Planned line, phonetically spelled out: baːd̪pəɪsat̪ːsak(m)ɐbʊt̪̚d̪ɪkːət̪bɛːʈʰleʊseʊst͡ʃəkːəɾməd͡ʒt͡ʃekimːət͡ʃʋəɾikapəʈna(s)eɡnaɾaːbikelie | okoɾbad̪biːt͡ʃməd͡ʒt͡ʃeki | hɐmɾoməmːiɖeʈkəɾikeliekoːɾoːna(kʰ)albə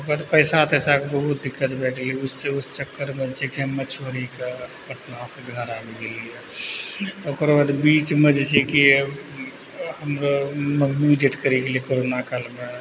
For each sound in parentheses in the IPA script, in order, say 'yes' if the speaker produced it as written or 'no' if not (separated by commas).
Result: no, yes, no